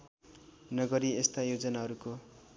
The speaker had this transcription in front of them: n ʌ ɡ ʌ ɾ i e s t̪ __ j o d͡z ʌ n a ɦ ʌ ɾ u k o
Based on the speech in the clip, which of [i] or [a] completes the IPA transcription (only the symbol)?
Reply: a